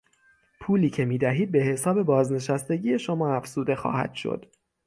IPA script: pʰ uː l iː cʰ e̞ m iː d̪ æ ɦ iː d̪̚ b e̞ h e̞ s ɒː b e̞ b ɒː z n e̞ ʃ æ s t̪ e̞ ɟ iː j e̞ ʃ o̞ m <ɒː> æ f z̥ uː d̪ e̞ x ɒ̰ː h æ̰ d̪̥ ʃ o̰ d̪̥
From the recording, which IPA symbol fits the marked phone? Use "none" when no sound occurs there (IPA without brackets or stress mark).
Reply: ɒː